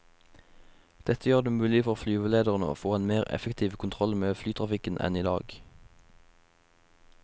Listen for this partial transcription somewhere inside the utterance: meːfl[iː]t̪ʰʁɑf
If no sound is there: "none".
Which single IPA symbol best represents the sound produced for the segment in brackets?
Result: yː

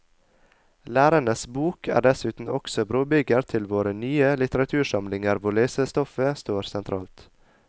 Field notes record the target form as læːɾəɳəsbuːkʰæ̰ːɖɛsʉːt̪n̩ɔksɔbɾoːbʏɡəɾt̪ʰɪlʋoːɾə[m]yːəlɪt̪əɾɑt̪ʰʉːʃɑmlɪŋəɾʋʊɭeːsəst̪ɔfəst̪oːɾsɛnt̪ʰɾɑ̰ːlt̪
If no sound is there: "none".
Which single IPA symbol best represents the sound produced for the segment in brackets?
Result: n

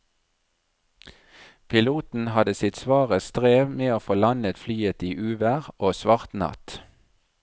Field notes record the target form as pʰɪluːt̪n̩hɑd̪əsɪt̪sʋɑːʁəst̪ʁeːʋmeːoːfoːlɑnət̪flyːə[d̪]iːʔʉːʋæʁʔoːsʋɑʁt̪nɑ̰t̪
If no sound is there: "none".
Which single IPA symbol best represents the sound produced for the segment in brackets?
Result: t̪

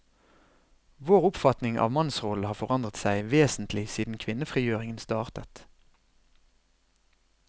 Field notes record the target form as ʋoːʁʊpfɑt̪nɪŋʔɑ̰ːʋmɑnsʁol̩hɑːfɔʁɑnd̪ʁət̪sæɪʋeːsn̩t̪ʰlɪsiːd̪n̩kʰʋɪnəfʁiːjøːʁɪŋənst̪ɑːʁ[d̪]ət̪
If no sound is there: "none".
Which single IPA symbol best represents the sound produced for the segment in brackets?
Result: t̪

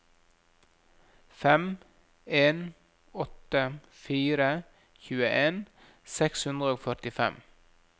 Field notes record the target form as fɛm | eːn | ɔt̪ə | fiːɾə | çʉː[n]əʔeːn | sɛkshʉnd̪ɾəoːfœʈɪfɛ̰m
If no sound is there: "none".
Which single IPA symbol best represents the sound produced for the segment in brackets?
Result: none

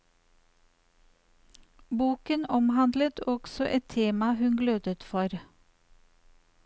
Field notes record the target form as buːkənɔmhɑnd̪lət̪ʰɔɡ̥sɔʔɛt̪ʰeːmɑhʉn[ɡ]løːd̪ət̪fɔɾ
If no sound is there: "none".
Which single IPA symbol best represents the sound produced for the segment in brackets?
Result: ɡ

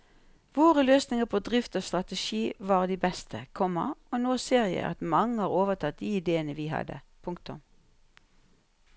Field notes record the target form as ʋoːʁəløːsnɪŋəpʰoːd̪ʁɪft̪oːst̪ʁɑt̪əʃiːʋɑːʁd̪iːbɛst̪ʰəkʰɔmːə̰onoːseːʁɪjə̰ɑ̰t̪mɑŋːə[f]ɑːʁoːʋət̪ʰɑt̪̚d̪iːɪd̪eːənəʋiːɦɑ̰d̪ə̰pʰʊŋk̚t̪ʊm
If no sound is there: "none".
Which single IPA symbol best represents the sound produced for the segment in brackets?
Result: h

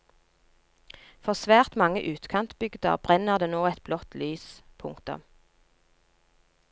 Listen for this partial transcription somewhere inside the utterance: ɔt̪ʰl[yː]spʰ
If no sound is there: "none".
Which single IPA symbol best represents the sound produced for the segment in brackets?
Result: yː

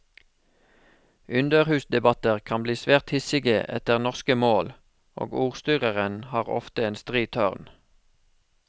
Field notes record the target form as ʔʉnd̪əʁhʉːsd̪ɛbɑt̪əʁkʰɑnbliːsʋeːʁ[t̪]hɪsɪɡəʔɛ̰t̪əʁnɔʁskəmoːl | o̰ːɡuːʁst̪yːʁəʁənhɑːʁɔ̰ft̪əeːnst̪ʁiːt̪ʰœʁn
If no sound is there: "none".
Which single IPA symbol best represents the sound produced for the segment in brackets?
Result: t̪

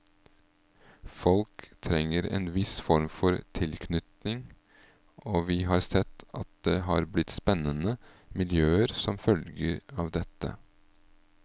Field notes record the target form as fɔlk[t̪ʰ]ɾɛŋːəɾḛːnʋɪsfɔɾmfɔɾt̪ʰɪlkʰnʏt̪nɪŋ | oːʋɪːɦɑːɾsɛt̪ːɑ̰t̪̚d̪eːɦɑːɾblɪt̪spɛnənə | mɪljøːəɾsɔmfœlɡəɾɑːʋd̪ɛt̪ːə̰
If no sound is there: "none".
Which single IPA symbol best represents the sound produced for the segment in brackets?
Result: t̪ʰ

